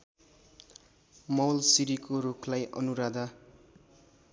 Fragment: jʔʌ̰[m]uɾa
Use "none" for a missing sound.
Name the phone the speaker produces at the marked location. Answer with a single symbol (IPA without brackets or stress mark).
n